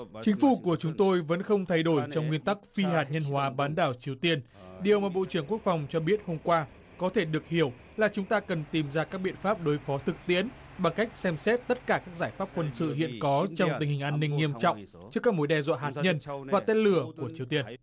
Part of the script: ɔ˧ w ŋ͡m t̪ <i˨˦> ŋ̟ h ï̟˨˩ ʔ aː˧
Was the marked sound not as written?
yes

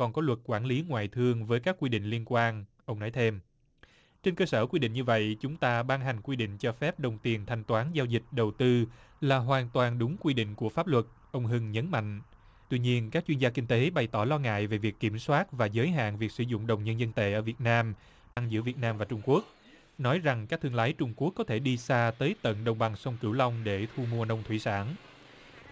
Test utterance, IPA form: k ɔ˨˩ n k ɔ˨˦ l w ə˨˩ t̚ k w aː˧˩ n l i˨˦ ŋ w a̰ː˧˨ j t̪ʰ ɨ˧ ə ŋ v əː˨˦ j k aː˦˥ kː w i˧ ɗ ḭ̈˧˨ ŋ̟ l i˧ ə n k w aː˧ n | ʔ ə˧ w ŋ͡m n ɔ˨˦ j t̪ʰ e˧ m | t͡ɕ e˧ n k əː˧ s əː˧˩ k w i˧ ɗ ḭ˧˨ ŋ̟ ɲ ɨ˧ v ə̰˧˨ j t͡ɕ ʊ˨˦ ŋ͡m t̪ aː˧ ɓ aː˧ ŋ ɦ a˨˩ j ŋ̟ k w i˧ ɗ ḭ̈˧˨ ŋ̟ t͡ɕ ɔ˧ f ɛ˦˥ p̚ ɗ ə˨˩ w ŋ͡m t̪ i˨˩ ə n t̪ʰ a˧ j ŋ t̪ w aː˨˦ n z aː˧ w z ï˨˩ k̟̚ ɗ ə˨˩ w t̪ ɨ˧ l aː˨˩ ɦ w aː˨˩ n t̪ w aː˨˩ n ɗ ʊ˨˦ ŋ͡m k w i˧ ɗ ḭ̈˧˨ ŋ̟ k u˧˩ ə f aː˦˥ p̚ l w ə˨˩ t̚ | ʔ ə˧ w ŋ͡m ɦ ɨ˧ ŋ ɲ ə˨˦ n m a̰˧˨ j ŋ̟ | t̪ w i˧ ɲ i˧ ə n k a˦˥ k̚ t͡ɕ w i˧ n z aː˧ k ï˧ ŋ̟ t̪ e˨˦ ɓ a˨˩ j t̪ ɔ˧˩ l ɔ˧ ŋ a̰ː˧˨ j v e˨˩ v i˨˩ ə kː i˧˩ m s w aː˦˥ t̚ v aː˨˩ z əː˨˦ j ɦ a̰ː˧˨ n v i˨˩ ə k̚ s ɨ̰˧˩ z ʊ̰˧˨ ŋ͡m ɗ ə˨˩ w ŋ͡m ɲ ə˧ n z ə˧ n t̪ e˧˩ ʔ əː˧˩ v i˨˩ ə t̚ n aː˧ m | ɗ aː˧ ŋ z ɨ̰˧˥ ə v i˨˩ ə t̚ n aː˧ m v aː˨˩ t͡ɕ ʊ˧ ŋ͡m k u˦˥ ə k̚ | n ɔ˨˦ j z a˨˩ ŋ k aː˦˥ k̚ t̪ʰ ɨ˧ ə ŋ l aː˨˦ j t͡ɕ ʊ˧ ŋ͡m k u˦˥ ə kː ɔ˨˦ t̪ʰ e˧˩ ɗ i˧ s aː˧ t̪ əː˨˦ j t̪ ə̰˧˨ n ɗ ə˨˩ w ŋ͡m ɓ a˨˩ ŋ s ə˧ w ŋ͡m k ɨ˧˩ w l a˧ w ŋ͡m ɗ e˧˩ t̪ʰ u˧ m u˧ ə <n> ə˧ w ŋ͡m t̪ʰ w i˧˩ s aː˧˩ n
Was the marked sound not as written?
no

